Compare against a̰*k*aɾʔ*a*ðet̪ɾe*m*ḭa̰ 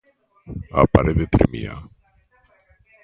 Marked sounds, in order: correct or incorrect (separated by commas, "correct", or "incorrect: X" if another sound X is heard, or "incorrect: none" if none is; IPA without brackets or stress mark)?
incorrect: p, incorrect: e, correct